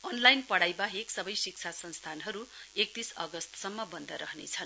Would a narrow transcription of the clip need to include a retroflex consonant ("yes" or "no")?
yes